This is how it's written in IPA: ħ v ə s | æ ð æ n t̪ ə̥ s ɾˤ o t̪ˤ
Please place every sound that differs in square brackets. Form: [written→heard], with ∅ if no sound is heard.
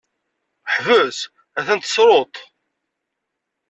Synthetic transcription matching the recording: ħ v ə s | æ [ð→θ] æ n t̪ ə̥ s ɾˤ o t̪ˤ